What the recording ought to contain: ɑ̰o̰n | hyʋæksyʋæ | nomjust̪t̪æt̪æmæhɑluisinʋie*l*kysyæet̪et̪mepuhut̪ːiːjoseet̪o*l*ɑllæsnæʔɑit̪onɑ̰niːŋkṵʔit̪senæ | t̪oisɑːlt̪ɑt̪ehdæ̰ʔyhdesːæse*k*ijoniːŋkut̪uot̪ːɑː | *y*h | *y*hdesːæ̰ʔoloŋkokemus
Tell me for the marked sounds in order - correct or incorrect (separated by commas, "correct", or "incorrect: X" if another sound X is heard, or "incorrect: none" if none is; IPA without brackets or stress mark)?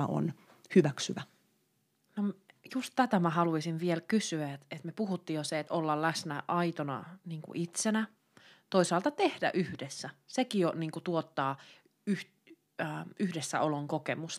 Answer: correct, incorrect: lː, correct, correct, correct